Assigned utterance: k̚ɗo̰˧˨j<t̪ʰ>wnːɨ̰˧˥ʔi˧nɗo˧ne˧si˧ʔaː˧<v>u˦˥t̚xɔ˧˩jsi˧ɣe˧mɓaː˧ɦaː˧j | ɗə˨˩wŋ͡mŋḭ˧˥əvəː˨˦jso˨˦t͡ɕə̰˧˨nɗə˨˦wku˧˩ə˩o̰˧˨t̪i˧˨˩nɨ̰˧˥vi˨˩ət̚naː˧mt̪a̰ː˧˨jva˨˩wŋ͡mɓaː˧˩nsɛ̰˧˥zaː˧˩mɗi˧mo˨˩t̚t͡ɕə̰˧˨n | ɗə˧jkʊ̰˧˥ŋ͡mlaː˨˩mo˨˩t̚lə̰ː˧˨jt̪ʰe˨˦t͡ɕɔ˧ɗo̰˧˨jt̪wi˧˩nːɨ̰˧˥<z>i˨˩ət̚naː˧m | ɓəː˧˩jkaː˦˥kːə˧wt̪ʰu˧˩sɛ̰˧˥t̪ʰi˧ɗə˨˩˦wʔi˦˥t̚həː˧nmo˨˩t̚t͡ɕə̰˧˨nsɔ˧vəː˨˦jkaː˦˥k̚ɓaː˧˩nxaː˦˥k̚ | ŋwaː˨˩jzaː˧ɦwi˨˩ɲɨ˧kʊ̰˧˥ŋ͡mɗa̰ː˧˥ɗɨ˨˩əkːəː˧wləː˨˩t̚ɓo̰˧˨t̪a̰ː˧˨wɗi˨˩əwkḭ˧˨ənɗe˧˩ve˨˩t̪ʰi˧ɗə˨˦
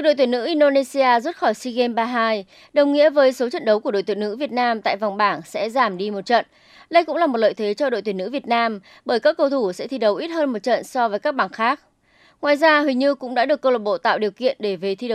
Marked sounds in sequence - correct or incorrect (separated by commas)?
incorrect, incorrect, incorrect